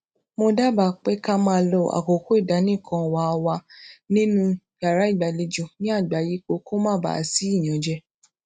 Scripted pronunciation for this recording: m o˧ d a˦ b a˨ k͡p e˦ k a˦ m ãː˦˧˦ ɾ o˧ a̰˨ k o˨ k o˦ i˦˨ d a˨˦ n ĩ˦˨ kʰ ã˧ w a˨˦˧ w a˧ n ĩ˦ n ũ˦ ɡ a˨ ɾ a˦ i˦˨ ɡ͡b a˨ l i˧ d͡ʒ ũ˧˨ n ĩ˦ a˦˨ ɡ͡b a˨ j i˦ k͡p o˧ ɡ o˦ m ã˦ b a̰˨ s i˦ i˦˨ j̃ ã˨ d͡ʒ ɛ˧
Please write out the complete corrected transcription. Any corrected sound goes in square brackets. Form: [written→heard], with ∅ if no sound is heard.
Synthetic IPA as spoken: m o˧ d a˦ b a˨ k͡p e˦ k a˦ m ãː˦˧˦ [ɾ→l] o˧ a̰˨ k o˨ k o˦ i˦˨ d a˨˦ n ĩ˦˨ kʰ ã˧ w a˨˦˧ w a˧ n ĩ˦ n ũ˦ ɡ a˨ ɾ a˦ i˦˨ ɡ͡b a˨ l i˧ d͡ʒ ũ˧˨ n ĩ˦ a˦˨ ɡ͡b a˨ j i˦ k͡p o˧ [ɡ→k] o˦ m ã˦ b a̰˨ s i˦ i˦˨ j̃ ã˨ d͡ʒ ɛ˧